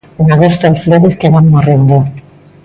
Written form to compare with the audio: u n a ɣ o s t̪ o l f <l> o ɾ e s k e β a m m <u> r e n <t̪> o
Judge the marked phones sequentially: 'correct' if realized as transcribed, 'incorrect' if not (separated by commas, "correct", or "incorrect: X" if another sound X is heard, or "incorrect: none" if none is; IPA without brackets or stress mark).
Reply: correct, incorrect: o, incorrect: d̪